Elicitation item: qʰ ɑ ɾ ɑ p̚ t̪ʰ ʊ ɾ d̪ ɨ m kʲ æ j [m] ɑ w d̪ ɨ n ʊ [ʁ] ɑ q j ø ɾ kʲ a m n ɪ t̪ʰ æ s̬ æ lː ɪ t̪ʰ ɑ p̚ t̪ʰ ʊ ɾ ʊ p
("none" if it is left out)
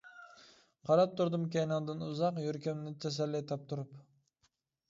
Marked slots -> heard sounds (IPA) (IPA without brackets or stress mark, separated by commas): n, z